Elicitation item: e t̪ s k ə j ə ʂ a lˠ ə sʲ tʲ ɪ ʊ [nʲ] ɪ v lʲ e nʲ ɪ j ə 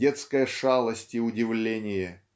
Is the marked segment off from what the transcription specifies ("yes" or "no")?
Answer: yes